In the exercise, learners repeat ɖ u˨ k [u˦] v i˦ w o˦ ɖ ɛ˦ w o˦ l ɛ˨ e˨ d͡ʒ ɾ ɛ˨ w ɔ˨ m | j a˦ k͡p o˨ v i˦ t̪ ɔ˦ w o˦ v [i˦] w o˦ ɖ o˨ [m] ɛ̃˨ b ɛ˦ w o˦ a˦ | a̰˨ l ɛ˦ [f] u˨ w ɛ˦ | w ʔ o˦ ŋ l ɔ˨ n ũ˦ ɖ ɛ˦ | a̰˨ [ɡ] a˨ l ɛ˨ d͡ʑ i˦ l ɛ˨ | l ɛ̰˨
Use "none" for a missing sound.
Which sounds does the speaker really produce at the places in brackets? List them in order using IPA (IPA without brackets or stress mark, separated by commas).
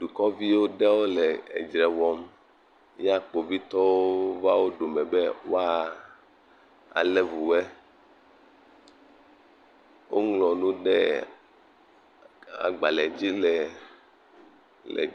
ɔ˦, a˦, m, v, ɡ͡b